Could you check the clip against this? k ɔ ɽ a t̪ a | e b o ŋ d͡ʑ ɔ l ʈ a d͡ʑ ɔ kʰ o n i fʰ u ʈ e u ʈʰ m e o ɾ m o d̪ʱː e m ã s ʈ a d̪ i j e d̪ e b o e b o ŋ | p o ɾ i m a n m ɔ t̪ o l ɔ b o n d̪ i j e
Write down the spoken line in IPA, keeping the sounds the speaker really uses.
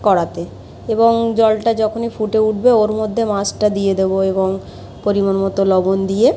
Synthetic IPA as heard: k ɔ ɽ a t̪ e | e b o ŋ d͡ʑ ɔ l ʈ a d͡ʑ ɔ kʰ o n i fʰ u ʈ e u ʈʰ b e o ɾ m o d̪ʱː e m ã s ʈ a d̪ i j e d̪ e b o e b o ŋ | p o ɾ i m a n m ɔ t̪ o l ɔ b o n d̪ i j e